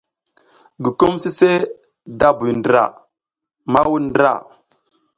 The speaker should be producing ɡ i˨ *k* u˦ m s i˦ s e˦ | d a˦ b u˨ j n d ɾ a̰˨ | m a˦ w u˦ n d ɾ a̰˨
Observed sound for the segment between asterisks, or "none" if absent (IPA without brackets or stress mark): k